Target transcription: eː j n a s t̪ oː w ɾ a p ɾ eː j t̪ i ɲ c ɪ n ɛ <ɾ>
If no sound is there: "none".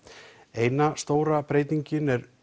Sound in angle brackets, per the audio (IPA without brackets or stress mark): ɾ